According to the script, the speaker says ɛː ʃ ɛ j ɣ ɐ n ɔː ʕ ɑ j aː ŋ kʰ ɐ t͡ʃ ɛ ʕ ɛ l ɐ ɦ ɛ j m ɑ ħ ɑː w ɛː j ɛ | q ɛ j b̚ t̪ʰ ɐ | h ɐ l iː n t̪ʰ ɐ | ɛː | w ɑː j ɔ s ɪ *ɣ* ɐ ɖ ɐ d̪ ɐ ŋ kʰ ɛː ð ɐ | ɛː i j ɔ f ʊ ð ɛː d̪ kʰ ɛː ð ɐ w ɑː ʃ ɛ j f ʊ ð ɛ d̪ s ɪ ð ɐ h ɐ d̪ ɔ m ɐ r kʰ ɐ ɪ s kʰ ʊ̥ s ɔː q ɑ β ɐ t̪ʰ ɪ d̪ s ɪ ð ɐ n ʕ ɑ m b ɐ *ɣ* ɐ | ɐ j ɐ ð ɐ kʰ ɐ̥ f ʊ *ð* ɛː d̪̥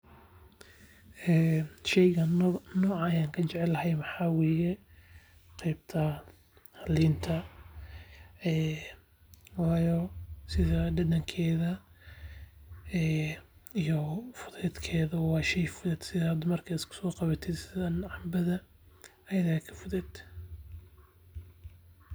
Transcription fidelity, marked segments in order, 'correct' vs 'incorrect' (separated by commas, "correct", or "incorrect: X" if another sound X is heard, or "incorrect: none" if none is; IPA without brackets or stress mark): incorrect: ð, incorrect: ð, correct